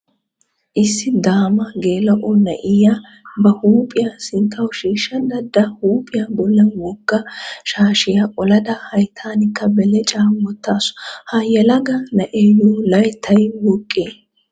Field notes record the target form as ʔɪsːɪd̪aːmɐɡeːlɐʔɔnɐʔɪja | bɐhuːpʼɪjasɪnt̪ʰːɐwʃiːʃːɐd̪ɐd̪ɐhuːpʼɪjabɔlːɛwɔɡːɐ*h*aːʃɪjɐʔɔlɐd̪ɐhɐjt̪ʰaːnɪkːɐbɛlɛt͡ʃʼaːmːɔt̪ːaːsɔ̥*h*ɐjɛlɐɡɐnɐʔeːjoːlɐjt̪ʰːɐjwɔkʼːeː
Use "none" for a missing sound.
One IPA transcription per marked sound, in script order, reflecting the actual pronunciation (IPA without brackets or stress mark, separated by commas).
ʃ, h